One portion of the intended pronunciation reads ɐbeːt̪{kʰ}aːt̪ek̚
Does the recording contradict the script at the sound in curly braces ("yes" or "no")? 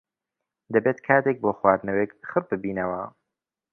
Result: no